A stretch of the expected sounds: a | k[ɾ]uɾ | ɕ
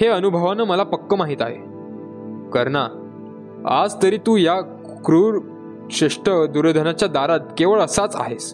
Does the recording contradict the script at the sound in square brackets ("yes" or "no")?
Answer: no